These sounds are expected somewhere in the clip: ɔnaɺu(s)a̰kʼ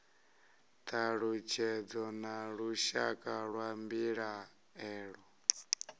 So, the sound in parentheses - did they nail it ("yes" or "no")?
no